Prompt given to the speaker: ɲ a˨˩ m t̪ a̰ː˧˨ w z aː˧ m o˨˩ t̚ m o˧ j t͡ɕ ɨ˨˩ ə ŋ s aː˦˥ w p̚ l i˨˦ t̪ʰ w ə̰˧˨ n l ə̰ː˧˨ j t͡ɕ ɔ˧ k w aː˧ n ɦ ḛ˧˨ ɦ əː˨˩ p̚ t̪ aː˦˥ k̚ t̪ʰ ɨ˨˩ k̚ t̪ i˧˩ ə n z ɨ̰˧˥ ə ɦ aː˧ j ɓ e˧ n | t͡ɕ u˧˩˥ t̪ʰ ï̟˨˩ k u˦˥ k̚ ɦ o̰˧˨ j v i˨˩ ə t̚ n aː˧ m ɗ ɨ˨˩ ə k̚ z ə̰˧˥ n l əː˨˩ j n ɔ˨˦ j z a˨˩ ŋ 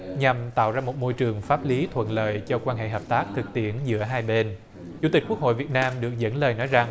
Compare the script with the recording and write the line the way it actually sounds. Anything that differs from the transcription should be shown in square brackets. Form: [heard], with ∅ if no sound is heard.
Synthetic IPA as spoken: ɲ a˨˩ m t̪ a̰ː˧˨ w z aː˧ m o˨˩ t̚ m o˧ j t͡ɕ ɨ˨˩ ə ŋ [f] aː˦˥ [∅] p̚ l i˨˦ t̪ʰ w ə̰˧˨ n l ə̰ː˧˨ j t͡ɕ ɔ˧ k w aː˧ n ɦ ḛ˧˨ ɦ əː˨˩ p̚ t̪ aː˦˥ k̚ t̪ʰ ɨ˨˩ k̚ t̪ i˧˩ ə n z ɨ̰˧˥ ə ɦ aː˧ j ɓ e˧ n | t͡ɕ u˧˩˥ [t̪] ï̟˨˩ k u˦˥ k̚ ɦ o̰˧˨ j v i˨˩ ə t̚ n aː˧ m ɗ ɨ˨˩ ə k̚ z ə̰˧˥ n l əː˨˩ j n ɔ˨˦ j z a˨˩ ŋ